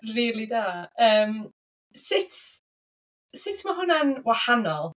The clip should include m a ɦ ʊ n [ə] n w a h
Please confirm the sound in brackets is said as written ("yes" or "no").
no